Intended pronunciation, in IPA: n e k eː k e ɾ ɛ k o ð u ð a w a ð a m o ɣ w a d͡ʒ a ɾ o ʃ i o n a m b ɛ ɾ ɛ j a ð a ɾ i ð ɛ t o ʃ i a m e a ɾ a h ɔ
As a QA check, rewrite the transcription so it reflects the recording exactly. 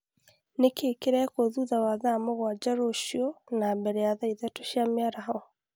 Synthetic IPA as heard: n e k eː k e ɾ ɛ k o ð u ð a w a ð a m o ɣ w a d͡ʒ a ɾ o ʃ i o n a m b ɛ ɾ ɛ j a ð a i ð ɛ t o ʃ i a m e a ɾ a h ɔ